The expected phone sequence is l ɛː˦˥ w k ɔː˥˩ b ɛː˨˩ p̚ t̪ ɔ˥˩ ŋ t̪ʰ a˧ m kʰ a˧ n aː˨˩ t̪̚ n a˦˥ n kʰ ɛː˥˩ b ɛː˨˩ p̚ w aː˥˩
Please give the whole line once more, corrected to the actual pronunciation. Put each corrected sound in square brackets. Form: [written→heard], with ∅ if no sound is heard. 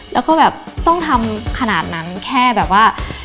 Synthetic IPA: l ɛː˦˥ w k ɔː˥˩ b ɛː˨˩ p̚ t̪ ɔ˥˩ ŋ t̪ʰ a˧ m kʰ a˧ n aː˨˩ t̪̚ n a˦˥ n kʰ ɛː˥˩ b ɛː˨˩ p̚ w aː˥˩